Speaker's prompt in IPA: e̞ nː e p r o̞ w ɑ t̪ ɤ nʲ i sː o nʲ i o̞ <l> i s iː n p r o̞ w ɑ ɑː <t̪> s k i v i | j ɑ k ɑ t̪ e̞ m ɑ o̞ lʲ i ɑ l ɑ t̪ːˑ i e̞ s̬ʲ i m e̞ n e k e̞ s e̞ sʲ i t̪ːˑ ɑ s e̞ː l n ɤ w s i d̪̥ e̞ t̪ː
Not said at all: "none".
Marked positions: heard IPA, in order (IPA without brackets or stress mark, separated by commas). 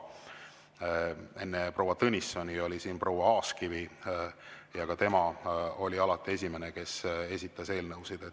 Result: l, none